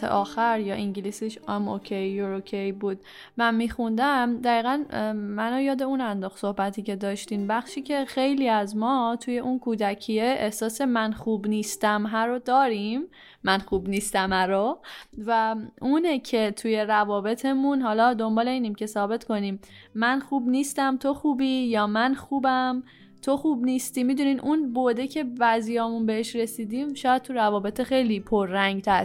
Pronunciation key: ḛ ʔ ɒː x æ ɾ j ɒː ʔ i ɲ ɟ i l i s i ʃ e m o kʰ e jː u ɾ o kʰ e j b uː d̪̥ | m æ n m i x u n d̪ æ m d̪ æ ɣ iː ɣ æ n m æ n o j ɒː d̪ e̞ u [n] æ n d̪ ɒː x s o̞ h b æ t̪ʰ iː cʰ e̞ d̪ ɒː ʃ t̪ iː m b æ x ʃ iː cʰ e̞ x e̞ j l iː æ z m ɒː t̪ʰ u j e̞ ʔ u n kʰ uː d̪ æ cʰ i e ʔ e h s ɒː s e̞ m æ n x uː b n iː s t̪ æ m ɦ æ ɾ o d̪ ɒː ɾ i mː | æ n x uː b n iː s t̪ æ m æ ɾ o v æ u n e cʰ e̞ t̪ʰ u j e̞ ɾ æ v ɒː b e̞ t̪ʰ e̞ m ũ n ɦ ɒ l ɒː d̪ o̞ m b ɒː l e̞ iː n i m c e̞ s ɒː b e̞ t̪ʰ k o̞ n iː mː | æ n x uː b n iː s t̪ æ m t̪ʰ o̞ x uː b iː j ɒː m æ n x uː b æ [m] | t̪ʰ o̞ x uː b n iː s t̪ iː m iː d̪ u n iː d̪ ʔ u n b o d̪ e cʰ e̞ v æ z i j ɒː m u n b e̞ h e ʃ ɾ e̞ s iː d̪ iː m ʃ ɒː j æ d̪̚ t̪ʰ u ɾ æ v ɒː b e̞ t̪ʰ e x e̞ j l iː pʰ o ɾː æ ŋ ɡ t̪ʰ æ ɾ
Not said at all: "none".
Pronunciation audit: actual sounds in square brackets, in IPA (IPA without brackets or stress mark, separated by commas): n, m